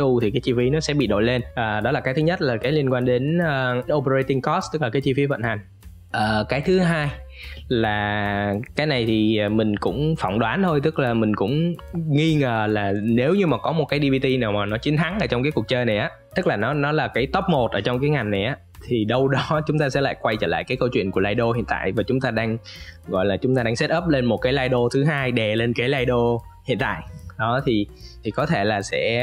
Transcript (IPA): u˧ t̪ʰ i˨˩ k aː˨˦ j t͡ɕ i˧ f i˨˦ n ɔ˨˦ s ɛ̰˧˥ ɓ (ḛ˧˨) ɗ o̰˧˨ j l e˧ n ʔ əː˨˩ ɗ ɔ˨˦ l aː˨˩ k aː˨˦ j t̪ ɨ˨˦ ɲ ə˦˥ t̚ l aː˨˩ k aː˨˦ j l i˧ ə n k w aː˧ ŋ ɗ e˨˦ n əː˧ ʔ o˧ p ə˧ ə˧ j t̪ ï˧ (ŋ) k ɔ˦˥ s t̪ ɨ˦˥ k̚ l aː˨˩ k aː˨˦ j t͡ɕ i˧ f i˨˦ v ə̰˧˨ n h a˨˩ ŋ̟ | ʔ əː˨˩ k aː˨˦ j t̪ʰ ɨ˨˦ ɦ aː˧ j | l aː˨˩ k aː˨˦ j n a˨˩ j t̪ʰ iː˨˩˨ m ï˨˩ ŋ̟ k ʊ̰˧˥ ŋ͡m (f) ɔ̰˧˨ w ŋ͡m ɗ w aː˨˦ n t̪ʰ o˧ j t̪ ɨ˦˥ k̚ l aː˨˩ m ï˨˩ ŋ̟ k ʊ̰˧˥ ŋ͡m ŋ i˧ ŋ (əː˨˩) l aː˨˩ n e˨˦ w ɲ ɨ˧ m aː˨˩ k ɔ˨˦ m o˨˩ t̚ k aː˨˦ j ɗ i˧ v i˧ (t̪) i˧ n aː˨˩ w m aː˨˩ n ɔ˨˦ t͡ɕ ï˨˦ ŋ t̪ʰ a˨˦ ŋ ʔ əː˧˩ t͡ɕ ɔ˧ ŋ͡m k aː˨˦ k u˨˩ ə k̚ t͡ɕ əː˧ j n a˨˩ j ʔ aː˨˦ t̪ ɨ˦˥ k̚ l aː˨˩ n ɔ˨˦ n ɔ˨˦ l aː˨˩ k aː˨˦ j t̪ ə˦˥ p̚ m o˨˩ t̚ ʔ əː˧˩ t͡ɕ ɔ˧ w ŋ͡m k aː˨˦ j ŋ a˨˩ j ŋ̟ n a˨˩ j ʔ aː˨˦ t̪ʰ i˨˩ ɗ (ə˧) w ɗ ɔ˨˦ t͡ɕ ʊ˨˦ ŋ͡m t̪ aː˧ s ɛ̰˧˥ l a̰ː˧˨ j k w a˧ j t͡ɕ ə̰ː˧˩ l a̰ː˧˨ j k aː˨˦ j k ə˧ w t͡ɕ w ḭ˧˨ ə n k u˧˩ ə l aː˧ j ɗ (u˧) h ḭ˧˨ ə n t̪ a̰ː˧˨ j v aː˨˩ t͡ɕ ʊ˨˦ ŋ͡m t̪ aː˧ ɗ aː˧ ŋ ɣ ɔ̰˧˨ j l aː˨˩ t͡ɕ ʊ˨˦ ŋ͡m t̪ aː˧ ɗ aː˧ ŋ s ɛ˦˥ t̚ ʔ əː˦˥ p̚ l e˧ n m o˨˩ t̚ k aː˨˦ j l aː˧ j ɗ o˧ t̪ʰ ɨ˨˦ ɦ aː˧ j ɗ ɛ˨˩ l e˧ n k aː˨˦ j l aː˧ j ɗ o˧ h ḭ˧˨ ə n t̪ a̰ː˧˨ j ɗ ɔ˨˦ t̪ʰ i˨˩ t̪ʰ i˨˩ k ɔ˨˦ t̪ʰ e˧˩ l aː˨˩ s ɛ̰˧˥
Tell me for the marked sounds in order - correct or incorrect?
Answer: incorrect, correct, correct, correct, correct, correct, incorrect

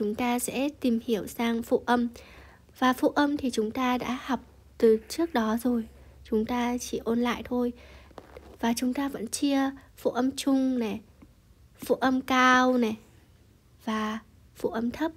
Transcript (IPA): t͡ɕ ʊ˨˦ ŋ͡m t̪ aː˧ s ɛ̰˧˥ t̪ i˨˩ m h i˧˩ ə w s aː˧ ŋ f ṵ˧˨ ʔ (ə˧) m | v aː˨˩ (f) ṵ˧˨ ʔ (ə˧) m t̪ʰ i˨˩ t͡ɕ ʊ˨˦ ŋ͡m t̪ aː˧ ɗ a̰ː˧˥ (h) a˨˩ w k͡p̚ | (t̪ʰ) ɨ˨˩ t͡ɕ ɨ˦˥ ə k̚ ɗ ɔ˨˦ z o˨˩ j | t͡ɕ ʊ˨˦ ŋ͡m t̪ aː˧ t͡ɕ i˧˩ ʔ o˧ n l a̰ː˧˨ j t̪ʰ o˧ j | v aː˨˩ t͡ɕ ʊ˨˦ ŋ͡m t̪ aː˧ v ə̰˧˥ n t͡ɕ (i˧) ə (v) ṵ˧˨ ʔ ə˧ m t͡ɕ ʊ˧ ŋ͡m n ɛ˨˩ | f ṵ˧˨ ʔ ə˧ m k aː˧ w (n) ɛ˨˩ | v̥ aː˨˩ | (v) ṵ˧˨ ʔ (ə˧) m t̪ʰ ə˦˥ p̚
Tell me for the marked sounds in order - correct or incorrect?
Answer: correct, correct, correct, correct, incorrect, correct, incorrect, correct, incorrect, correct

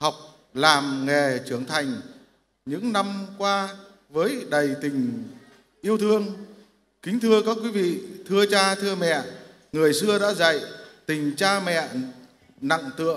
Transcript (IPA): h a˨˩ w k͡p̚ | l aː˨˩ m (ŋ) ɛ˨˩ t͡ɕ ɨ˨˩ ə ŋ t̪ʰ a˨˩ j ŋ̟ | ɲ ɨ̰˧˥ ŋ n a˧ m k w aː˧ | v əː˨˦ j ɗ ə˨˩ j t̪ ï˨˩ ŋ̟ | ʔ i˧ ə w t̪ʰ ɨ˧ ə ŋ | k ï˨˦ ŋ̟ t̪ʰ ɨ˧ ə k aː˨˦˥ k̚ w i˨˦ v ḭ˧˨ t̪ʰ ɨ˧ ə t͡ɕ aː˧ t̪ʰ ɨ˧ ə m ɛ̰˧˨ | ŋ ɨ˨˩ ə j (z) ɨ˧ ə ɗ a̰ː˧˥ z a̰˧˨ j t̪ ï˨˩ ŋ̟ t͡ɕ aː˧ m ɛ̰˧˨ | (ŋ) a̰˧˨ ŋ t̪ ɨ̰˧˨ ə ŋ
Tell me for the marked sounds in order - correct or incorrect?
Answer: correct, incorrect, incorrect

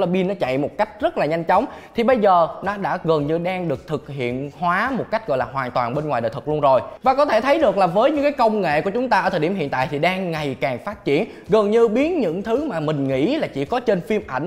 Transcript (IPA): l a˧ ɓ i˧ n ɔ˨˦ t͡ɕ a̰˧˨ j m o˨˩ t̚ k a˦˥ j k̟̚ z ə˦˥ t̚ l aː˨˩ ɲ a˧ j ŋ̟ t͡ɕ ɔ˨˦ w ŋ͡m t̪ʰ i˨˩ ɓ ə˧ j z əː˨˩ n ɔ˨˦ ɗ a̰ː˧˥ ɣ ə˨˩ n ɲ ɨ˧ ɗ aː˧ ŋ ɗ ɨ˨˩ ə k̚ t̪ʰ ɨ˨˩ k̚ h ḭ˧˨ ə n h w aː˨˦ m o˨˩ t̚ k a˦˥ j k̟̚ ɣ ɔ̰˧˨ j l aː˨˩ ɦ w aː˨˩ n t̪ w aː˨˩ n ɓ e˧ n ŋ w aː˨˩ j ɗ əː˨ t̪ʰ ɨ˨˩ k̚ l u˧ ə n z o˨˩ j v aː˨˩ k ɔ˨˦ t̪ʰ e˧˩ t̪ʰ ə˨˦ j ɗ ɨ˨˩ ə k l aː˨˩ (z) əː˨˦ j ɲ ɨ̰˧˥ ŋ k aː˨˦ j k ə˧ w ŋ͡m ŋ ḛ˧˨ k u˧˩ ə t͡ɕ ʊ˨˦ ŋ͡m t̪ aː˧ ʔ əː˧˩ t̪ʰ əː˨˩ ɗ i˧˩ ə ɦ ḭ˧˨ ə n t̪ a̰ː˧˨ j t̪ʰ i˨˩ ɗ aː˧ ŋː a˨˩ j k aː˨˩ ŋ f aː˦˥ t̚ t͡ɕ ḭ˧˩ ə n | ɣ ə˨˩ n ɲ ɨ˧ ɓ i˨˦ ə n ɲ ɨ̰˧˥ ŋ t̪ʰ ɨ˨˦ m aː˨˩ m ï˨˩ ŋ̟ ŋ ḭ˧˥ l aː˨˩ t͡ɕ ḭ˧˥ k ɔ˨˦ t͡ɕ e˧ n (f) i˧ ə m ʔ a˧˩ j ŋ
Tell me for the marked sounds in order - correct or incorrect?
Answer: incorrect, correct

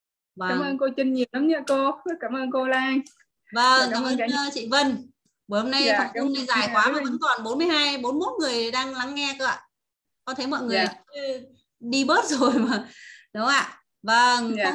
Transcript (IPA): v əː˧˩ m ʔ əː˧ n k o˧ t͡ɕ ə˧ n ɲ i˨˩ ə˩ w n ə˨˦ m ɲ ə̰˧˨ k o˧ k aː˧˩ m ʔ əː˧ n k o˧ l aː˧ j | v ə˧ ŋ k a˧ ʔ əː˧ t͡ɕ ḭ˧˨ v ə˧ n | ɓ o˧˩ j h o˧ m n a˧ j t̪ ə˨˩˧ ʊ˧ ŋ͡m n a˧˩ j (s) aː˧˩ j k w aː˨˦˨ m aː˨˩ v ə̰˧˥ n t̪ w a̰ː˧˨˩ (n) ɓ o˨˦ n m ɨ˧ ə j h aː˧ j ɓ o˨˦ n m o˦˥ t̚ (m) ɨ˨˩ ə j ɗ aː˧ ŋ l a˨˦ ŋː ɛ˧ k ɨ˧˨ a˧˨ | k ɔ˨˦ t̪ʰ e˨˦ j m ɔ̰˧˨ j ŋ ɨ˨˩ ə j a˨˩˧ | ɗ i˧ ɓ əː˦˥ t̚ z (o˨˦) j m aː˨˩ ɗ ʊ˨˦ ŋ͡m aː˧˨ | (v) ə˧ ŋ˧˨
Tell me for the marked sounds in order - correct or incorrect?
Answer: incorrect, correct, incorrect, incorrect, correct

